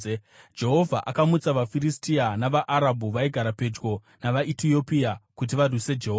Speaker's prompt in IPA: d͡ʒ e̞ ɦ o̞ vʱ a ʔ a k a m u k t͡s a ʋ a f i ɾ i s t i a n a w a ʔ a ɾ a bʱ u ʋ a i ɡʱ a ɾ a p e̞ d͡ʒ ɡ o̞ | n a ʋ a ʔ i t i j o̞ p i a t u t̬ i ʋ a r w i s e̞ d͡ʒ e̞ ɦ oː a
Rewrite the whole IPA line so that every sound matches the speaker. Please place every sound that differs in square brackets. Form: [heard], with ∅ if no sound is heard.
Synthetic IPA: d͡ʒ e̞ ɦ o̞ vʱ a ʔ a k a m u [∅] t͡s a ʋ a f i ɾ i s t i a n a [ʋ] a ʔ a ɾ a bʱ u ʋ a i ɡʱ a ɾ a p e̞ d͡ʒ ɡ o̞ | n a ʋ a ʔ i t i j o̞ p i a [k] u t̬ i ʋ a r w i s e̞ d͡ʒ e̞ ɦ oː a